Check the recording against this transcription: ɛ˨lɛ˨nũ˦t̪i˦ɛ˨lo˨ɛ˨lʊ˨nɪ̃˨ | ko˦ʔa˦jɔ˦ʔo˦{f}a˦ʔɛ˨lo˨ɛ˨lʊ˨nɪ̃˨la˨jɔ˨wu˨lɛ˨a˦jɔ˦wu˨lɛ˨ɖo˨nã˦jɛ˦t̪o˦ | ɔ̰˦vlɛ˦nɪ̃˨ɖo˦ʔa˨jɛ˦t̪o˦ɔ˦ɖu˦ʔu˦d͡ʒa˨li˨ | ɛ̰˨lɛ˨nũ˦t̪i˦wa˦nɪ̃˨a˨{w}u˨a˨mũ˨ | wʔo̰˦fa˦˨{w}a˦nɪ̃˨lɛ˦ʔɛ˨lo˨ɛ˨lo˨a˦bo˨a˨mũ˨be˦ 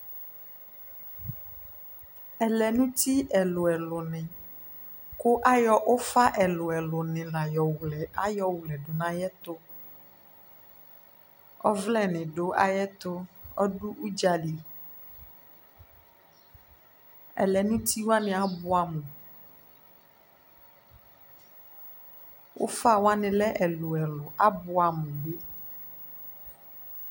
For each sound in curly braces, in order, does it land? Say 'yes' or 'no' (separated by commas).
yes, no, yes